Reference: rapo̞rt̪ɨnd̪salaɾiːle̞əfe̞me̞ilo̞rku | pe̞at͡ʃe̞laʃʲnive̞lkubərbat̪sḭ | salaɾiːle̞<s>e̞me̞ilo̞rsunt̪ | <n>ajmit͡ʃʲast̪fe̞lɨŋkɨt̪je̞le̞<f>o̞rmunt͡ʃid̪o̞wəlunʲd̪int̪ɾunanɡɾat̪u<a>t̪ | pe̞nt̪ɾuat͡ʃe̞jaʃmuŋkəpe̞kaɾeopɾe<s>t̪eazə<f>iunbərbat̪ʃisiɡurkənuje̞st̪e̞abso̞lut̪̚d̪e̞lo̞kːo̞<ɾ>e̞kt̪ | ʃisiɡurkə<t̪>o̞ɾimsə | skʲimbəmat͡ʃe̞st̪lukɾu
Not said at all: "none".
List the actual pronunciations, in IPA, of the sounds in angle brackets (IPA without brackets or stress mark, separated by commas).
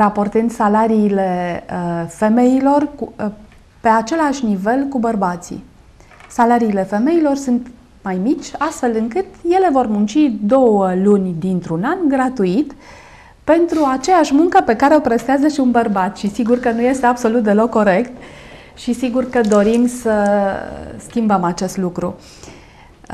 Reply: f, m, v, i, s, ʃ, ɾ, d̪